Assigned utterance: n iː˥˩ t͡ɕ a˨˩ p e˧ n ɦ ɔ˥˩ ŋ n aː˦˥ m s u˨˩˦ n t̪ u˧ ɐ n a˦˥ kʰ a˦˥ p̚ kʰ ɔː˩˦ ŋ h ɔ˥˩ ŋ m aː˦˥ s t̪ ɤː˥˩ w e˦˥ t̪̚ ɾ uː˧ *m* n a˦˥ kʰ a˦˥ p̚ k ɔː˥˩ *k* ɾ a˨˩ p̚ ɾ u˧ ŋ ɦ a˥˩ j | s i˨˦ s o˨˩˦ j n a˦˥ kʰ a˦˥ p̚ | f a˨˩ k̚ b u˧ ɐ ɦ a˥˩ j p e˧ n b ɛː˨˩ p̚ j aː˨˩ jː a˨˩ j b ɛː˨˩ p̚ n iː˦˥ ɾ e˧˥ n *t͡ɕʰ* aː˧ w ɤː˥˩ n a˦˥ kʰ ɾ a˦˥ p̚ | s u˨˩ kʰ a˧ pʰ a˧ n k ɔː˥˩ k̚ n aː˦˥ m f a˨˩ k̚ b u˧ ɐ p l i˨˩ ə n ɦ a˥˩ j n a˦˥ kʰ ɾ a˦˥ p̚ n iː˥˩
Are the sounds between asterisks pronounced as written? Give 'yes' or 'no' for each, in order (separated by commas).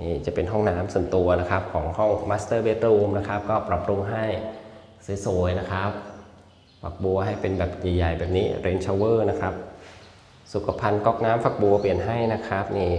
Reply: yes, no, yes